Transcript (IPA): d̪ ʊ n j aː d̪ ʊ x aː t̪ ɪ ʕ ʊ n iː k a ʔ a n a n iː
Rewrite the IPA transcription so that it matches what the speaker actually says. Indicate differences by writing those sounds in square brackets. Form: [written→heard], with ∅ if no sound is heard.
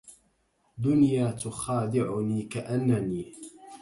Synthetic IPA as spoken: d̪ ʊ n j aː [d̪→t̪] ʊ x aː [t̪→d̪] ɪ ʕ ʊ n iː k a ʔ a [n→nː] a n iː